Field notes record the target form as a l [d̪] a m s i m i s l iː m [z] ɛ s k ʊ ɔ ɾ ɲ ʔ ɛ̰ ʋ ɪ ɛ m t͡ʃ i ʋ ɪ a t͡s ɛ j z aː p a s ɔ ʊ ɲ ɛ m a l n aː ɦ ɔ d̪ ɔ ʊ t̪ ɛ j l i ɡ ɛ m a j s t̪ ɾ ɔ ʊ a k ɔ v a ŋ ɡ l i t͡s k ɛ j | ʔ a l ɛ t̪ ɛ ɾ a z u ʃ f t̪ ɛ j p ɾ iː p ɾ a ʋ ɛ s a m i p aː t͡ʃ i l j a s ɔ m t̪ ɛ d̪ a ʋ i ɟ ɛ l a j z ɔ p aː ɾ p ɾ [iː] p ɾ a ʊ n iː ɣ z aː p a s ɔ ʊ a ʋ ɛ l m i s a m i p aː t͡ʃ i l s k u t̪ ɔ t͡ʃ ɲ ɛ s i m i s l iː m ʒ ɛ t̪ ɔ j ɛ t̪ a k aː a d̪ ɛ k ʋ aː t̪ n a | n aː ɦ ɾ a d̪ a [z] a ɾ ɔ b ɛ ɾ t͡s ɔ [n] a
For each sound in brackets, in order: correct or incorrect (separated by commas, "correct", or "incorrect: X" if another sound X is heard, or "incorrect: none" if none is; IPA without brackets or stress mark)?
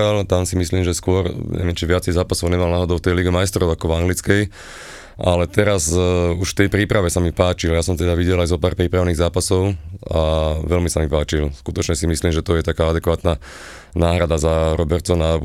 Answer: incorrect: t̪, incorrect: ʒ, correct, correct, correct